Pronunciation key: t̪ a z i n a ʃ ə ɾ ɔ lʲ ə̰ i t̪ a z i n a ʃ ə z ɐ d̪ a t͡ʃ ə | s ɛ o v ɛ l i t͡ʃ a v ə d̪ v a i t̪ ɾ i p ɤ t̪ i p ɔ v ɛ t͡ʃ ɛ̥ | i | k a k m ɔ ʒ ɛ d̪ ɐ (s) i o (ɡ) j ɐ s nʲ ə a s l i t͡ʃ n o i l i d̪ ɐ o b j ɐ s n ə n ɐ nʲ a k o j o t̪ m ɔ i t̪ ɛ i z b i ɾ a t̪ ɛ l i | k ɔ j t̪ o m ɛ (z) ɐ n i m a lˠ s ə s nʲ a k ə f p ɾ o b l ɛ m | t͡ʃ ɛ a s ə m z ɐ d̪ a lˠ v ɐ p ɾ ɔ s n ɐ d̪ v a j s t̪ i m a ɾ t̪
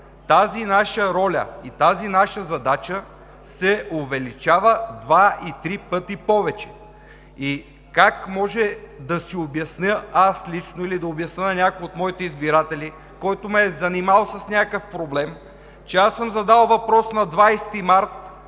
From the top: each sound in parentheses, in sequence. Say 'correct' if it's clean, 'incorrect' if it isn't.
correct, incorrect: b, correct

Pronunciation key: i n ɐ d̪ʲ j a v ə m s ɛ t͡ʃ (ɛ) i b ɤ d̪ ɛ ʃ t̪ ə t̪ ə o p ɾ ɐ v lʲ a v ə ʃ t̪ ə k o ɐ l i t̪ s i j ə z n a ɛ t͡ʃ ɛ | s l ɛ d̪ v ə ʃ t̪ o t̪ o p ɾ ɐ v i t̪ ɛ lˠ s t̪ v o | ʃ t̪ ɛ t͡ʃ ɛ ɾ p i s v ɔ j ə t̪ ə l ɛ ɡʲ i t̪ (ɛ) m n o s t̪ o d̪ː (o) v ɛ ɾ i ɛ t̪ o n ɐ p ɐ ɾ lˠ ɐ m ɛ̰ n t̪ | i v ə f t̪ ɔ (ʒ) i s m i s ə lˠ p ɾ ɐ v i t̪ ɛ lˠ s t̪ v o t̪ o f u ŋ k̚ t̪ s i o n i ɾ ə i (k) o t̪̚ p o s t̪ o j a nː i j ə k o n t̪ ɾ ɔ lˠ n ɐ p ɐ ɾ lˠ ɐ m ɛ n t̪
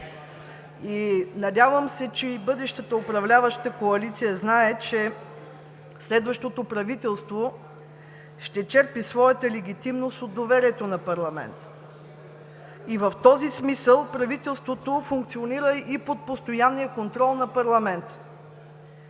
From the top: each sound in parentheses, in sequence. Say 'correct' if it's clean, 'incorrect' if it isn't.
correct, incorrect: i, correct, incorrect: z, incorrect: p

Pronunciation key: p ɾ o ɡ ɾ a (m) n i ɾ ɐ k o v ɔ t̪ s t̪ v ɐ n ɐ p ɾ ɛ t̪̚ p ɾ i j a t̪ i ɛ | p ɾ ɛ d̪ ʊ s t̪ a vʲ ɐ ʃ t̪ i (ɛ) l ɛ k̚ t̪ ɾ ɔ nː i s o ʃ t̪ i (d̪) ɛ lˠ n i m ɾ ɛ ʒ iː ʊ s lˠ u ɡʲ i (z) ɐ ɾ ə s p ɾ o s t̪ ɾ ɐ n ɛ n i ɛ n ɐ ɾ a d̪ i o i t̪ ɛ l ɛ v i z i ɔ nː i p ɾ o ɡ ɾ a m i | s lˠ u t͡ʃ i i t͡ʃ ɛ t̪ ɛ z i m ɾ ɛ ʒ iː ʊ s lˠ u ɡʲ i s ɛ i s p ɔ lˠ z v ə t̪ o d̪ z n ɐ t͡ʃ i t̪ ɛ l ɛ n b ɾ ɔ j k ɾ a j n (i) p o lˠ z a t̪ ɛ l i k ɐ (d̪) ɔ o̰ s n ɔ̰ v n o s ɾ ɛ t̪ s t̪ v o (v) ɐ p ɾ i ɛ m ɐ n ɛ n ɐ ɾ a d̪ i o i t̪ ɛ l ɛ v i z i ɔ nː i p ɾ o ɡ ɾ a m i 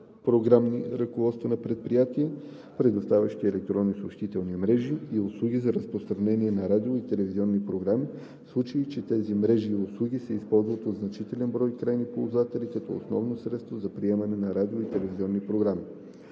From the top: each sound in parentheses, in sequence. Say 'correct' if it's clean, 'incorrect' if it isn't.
correct, correct, incorrect: t̪, correct, correct, incorrect: t̪, incorrect: z

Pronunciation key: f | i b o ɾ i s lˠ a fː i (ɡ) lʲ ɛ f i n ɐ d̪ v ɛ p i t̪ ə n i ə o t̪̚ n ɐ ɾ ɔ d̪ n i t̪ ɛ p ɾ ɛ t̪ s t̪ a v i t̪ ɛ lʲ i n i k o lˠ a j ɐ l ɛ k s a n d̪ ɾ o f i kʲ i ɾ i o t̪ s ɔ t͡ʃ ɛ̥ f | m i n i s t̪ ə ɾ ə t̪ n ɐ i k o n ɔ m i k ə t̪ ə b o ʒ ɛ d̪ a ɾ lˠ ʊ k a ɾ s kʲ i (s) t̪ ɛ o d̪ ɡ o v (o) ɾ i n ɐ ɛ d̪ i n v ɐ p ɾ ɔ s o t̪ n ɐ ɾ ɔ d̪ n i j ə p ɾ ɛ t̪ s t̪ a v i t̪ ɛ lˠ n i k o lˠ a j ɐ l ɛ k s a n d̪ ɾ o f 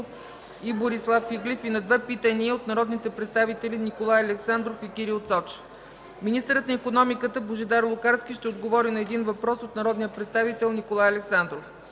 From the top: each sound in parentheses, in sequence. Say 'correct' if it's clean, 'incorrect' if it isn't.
correct, incorrect: ʃ, incorrect: ɔ

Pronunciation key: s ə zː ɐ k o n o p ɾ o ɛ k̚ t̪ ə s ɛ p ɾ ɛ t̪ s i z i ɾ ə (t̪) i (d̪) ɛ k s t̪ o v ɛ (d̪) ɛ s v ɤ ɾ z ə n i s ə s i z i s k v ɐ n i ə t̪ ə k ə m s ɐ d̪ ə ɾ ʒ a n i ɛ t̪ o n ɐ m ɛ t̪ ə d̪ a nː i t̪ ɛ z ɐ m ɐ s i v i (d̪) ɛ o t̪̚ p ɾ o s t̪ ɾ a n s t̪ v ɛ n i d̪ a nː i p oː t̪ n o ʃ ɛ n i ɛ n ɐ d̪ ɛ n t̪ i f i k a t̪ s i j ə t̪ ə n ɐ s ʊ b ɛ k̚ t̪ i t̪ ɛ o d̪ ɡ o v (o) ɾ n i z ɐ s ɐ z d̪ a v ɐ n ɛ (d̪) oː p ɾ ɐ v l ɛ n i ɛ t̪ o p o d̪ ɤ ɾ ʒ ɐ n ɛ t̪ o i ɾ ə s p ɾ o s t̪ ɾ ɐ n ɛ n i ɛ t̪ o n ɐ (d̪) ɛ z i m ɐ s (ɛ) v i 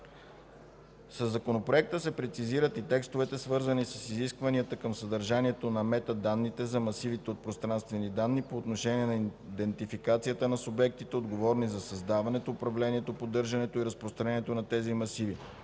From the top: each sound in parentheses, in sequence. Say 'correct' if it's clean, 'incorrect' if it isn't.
correct, incorrect: t̪, incorrect: t̪, incorrect: t̪, incorrect: ɔ, incorrect: t̪, incorrect: t̪, incorrect: i

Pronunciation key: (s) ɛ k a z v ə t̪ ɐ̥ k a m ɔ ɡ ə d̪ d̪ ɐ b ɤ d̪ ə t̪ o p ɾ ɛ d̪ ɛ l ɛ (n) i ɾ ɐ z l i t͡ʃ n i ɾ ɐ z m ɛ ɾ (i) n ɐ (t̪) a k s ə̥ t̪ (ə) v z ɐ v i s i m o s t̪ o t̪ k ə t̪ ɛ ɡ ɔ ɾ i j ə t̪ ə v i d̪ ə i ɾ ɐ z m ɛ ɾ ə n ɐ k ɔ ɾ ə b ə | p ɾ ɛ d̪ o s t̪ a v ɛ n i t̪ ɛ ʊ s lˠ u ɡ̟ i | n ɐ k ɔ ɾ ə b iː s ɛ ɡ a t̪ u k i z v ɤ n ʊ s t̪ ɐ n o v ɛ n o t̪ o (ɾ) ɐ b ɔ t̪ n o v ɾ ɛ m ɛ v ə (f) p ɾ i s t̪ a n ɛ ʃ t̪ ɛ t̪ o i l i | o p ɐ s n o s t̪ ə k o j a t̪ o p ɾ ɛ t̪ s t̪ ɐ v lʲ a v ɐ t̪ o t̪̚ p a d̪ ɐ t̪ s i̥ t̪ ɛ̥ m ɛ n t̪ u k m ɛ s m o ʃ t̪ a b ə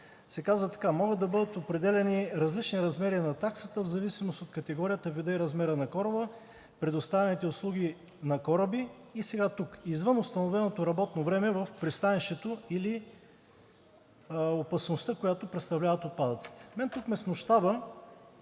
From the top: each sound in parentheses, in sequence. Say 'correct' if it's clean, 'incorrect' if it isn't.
correct, correct, correct, correct, correct, correct, correct

